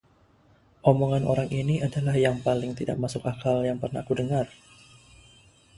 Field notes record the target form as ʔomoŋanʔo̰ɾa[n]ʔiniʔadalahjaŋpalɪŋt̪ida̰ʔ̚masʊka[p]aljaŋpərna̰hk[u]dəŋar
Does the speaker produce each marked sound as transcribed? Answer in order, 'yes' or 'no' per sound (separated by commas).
no, no, yes